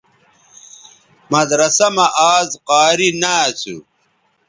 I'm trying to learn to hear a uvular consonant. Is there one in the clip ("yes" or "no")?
yes